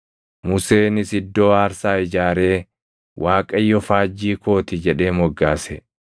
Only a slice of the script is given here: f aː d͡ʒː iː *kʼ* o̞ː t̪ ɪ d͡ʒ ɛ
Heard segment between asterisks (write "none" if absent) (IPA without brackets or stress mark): k